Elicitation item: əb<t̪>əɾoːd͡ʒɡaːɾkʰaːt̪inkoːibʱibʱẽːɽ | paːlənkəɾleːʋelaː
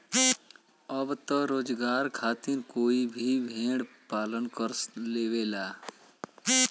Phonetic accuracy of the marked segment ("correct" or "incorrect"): correct